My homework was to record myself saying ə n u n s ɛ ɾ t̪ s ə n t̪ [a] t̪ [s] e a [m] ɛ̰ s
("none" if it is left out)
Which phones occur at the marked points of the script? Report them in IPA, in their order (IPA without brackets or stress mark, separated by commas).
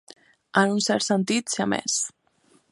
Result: i, s, m